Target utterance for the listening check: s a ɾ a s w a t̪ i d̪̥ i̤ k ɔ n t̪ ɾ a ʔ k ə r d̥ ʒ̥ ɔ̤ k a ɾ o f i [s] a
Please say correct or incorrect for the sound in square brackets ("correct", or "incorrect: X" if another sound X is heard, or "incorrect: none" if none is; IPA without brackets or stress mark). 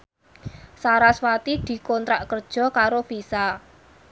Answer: correct